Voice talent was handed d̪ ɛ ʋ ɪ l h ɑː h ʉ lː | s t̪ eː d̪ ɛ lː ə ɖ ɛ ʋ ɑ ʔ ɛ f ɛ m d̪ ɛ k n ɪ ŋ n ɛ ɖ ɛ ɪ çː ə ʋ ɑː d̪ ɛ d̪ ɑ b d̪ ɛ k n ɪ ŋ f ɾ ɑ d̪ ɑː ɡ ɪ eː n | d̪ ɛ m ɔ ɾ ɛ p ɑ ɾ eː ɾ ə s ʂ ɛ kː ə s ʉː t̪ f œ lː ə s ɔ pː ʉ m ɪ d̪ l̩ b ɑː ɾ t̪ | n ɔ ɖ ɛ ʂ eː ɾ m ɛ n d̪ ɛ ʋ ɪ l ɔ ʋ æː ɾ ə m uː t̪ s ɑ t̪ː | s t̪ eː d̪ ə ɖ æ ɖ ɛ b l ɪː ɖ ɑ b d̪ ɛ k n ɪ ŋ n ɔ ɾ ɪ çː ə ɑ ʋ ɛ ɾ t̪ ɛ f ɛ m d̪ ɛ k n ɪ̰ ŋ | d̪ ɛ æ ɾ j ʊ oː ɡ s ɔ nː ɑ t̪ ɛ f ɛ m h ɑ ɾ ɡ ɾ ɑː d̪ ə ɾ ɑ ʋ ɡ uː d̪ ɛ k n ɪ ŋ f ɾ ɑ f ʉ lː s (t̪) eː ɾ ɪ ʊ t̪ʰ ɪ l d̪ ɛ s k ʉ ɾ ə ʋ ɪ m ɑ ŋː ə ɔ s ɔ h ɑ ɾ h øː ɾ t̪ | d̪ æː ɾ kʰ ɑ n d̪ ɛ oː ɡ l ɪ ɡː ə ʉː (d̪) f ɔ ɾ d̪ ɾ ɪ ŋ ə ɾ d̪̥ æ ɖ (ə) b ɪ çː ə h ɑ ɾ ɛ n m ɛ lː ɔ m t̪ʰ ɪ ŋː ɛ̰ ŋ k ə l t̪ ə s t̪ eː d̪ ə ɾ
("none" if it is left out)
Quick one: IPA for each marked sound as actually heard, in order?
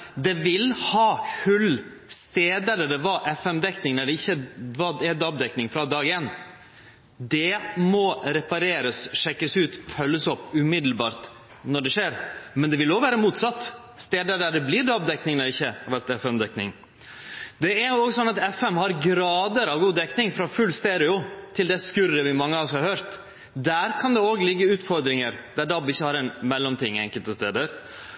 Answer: t̪, t̪, ɑ

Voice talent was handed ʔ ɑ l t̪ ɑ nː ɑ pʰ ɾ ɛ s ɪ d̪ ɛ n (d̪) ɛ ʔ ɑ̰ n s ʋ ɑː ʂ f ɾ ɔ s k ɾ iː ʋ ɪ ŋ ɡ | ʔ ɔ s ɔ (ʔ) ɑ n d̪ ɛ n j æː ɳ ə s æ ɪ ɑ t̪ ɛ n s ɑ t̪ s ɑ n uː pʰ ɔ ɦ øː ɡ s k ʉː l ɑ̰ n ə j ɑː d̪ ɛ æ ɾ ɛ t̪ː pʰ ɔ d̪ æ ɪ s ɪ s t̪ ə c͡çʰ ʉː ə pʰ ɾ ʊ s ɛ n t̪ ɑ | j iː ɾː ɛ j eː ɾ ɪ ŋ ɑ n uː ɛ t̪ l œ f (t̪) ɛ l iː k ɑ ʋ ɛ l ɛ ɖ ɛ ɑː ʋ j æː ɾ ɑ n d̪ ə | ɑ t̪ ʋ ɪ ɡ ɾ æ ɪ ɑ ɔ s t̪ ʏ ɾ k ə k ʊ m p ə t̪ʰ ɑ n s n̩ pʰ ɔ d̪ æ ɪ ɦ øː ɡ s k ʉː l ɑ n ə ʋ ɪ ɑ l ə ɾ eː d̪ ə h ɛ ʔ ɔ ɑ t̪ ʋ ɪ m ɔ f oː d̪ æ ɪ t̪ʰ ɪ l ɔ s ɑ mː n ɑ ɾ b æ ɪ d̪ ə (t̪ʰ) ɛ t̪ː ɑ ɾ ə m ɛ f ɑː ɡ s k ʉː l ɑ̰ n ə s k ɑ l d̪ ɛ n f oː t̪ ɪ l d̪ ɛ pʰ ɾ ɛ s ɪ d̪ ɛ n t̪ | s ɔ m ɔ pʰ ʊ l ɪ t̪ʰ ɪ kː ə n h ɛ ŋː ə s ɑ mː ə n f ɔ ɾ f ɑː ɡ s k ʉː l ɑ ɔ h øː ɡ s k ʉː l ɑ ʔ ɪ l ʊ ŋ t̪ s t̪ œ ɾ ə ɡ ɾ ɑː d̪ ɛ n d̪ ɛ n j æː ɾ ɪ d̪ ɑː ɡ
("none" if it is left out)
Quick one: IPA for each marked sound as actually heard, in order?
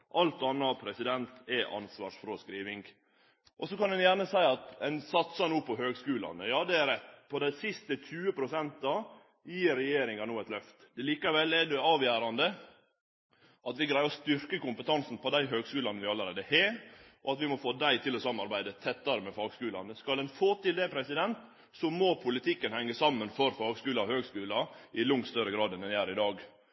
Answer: t̪, k, t̪, t̪ʰ

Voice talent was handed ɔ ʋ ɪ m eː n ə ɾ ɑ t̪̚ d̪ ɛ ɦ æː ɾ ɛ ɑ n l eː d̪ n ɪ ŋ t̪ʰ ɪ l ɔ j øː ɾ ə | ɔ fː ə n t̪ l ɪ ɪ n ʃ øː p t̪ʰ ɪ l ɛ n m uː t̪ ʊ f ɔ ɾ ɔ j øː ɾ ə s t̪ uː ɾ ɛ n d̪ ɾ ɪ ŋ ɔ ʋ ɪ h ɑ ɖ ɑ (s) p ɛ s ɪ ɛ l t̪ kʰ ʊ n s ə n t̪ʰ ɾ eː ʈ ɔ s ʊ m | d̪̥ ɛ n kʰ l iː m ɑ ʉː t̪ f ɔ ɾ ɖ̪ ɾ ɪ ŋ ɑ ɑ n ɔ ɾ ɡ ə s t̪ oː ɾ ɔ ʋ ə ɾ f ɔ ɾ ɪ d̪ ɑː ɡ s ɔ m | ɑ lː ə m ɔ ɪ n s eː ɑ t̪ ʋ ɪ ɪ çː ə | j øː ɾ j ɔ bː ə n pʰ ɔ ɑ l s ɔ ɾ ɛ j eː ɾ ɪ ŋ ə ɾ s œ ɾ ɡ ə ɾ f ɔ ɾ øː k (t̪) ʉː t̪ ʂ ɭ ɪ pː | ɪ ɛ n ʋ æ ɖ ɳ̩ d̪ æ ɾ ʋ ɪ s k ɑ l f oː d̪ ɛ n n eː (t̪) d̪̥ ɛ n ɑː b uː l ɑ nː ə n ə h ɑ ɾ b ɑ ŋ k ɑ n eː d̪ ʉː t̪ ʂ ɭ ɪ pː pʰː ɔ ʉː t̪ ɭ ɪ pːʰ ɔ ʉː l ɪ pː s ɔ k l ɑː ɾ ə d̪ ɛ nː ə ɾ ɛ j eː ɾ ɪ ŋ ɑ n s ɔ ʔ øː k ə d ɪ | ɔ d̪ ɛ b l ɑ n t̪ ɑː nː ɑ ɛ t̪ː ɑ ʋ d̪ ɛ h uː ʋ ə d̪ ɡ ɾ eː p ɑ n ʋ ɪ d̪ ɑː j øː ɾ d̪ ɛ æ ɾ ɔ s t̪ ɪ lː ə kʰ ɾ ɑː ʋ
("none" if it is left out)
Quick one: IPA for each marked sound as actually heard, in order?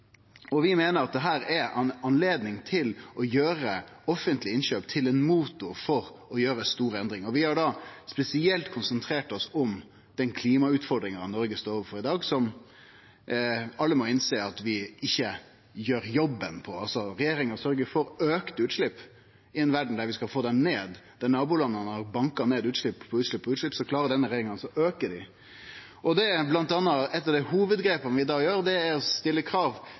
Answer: s, t̪, d̪

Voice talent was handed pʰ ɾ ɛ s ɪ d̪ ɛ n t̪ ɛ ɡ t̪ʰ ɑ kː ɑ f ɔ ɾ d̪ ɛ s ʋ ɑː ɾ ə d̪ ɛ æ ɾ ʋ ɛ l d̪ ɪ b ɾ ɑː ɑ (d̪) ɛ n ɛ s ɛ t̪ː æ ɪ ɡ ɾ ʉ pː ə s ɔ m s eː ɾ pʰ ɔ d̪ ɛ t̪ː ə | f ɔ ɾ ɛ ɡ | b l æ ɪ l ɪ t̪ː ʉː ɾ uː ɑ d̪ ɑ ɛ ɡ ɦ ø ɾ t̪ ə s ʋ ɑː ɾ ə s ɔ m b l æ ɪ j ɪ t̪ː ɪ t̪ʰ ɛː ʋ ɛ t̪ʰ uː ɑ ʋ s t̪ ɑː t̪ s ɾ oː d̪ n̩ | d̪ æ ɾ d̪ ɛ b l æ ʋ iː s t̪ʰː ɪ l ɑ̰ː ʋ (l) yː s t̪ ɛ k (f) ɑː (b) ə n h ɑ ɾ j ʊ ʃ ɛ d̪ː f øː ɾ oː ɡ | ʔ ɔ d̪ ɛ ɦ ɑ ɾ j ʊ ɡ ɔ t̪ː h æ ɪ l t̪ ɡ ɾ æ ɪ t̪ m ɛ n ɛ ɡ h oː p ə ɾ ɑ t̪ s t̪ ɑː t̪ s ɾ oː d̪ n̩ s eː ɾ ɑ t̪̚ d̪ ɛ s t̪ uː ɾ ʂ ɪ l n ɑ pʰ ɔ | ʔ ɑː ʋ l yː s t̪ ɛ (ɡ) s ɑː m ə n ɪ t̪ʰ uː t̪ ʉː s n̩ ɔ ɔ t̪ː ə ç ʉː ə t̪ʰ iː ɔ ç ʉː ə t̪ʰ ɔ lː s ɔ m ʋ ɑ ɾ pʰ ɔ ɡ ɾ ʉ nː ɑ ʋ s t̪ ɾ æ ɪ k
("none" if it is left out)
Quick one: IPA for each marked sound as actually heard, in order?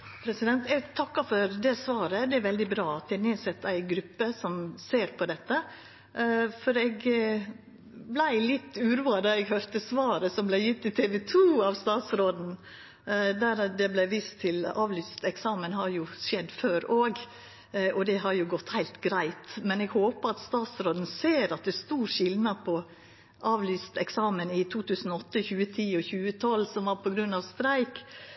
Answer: t̪, l, s, m, k

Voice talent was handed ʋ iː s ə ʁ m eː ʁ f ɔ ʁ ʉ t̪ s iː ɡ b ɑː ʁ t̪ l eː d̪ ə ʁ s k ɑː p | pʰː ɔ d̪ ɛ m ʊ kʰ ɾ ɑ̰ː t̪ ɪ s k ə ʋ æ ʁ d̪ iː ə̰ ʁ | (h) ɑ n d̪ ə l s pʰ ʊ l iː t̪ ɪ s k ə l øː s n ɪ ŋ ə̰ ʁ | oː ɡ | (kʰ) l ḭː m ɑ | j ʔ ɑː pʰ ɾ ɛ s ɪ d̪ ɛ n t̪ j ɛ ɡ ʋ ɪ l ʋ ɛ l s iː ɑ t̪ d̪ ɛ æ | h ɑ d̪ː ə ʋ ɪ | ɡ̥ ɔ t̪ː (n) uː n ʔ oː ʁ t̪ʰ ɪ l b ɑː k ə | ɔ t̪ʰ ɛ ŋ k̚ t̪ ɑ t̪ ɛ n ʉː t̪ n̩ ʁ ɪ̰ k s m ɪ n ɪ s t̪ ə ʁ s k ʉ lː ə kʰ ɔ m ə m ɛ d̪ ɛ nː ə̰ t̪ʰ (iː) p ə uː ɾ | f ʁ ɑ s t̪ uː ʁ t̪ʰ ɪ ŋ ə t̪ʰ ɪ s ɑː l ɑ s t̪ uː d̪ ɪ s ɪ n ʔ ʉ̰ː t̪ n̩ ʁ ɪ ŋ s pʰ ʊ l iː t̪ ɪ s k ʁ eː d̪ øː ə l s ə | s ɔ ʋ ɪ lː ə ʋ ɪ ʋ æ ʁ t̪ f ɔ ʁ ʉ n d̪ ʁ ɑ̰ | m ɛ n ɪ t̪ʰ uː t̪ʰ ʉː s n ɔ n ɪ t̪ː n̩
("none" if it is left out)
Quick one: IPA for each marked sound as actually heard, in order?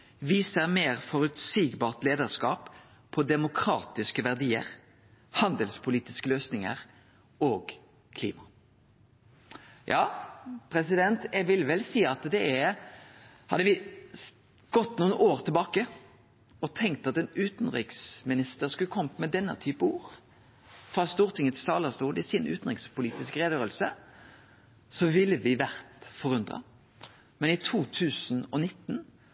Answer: h, kʰ, n, yː

